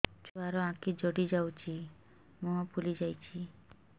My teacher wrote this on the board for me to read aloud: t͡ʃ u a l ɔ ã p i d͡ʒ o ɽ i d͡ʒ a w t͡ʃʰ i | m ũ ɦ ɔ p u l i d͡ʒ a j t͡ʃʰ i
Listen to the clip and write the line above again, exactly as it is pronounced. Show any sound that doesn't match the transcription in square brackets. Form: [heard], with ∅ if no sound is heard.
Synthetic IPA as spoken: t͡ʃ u a [ɾ] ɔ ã [k] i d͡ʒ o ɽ i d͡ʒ a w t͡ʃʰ i | m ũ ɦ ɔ p u l i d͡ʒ a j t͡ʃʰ i